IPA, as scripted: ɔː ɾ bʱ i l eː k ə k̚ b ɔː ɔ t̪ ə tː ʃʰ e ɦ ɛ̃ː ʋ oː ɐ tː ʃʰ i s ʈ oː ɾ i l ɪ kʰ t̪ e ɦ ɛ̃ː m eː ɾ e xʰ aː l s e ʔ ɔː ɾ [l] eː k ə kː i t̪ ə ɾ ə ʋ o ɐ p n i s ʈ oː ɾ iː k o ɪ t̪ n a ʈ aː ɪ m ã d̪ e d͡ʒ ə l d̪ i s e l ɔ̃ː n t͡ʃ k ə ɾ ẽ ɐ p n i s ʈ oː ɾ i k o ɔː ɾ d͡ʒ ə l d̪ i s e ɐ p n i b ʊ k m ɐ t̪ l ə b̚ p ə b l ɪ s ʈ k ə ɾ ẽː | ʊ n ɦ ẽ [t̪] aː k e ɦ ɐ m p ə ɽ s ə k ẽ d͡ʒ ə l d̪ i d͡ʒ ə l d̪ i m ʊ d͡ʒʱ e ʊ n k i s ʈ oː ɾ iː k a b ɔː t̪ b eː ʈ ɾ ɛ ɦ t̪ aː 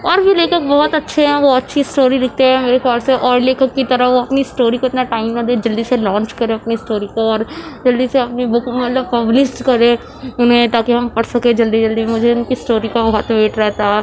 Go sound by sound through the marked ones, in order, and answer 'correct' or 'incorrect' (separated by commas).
correct, correct